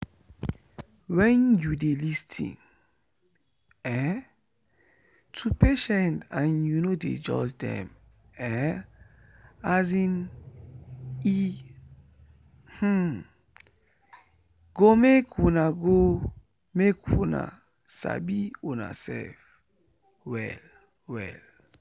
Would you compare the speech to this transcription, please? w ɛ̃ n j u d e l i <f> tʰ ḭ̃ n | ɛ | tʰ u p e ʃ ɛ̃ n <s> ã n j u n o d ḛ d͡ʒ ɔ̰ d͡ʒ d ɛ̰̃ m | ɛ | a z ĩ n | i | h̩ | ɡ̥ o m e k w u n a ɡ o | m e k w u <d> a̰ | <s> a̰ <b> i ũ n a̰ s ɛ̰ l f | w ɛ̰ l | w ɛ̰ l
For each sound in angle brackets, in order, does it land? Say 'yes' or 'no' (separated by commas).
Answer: no, no, no, yes, yes